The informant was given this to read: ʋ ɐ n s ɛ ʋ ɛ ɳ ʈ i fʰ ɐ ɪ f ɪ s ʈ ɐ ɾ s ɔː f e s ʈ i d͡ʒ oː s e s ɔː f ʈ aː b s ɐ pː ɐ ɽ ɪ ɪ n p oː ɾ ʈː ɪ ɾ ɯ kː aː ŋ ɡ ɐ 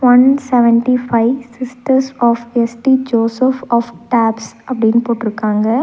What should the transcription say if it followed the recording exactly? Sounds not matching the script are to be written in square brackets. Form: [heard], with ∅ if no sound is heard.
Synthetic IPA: ʋ ɐ n s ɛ ʋ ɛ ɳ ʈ i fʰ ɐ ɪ [s] ɪ s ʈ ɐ ɾ s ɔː f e s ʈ i d͡ʒ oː s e [f] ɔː f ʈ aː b s ɐ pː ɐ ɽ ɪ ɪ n p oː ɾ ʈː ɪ ɾ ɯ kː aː ŋ ɡ ɐ